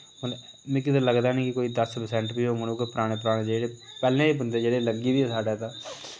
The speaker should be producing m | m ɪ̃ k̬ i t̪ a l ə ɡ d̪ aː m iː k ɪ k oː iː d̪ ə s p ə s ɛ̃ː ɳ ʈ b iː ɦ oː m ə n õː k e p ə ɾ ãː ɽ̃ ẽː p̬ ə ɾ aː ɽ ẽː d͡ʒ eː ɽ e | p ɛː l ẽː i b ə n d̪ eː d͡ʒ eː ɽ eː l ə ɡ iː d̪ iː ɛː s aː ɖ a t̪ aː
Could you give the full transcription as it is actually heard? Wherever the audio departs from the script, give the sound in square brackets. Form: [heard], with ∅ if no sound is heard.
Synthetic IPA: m | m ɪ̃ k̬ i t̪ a l ə ɡ d̪ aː [n] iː k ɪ k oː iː d̪ ə s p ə s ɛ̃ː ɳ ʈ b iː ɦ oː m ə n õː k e p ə ɾ [aː] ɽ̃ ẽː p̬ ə ɾ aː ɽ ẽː d͡ʒ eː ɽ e | p ɛː l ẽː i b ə n d̪ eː d͡ʒ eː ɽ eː l ə ɡ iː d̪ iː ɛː s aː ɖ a t̪ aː